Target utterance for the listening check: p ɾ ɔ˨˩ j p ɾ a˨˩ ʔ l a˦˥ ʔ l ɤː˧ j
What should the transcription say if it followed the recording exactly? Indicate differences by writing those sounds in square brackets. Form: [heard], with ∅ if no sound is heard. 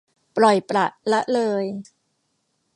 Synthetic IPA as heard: p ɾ ɔ˨˩ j p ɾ a˨˩ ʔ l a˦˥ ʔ l ɤː˧ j